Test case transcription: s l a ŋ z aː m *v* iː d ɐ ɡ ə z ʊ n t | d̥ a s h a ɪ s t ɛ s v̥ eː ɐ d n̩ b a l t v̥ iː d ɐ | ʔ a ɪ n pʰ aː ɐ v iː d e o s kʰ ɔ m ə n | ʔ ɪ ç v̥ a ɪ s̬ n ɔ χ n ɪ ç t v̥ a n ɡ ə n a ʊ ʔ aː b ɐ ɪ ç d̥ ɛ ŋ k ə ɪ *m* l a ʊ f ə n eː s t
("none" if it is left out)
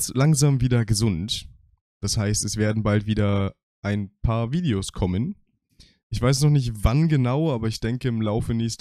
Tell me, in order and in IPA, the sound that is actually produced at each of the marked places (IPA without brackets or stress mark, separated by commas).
v, m